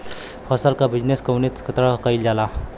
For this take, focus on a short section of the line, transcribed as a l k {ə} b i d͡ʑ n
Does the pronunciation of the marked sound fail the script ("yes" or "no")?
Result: yes